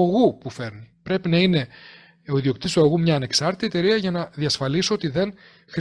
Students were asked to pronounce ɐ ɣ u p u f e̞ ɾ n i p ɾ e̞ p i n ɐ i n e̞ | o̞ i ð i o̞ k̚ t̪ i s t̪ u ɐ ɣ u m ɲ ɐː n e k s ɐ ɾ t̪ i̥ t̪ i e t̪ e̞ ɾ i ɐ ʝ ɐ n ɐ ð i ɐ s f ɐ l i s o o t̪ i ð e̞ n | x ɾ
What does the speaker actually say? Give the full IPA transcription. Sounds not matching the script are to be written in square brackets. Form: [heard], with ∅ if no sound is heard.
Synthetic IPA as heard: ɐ ɣ u p u f e̞ ɾ n i p ɾ e̞ p i n ɐ i n e̞ | o̞ i ð i o̞ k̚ t̪ i s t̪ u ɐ ɣ u m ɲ ɐː n e k s ɐ ɾ t̪ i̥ t̪ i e t̪ e̞ ɾ i ɐ ʝ ɐ n ɐ ð i ɐ s f ɐ l i s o o t̪ i ð e̞ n | x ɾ